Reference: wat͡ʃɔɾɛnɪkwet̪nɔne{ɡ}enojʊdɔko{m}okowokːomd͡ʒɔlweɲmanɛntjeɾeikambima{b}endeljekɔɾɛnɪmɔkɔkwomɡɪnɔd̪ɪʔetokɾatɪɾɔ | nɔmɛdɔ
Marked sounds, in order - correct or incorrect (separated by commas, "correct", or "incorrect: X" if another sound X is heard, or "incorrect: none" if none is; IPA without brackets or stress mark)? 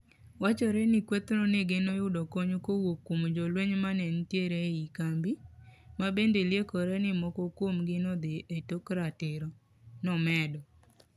correct, incorrect: ɲ, correct